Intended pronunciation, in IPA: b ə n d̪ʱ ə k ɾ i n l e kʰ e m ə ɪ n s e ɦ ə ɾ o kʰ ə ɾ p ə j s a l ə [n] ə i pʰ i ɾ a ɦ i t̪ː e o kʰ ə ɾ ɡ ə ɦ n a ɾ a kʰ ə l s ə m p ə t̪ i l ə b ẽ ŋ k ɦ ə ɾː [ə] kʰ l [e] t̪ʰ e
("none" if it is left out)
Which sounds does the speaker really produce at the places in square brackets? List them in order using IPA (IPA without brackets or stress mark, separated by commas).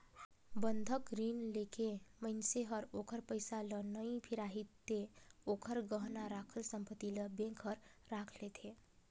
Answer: n, a, e